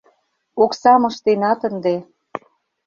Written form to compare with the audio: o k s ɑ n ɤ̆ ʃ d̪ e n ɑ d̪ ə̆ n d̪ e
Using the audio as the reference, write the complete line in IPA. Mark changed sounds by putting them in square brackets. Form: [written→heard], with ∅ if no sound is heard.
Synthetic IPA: o k s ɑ [n→m] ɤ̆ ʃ [d̪→t̪] e n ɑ [d̪→t̪] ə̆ n d̪ e